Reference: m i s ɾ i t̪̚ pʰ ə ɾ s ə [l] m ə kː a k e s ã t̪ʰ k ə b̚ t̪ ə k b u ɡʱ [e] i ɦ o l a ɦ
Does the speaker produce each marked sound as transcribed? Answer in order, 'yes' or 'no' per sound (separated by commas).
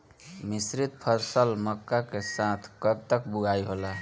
yes, no